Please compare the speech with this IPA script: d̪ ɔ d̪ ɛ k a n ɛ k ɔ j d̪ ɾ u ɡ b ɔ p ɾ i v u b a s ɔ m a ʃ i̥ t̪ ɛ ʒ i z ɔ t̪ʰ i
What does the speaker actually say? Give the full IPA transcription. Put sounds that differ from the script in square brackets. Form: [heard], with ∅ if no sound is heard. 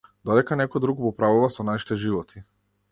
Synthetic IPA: d̪ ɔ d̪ ɛ k a n ɛ k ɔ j d̪ ɾ u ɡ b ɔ p ɾ [a] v u [v] a s ɔ [n] a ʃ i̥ t̪ ɛ ʒ i [v] ɔ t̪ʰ i